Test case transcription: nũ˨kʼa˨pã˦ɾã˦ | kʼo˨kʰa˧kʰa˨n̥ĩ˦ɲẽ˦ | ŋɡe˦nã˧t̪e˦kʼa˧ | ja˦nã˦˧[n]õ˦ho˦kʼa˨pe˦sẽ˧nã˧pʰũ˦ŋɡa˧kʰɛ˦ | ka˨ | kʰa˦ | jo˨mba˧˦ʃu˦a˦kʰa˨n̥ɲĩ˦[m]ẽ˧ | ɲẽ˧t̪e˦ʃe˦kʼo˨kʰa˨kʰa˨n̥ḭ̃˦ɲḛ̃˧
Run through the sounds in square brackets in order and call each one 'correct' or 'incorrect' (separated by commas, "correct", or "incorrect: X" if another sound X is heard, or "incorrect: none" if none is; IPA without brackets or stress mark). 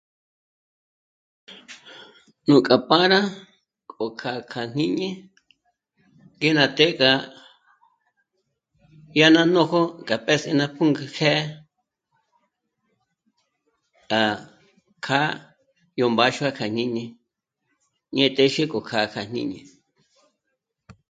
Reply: correct, incorrect: ɲ